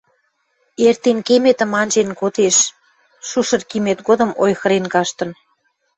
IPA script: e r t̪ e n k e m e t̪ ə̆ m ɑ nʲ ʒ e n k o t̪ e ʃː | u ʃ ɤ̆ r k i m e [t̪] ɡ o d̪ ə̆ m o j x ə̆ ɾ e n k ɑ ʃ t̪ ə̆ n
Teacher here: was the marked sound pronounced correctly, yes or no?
yes